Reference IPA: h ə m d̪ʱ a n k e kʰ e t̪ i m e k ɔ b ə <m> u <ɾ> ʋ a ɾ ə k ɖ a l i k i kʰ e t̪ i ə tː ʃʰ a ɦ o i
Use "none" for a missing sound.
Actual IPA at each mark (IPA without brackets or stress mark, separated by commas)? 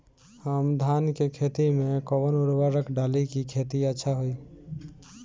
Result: n, ɾ